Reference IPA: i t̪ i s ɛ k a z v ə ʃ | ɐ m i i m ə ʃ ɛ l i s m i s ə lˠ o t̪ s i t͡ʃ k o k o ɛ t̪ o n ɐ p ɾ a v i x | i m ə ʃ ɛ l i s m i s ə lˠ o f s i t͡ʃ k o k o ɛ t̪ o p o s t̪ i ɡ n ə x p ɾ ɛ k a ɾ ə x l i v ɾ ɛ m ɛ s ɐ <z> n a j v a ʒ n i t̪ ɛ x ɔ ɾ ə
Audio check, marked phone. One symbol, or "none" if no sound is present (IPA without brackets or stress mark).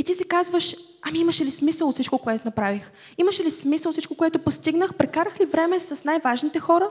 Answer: s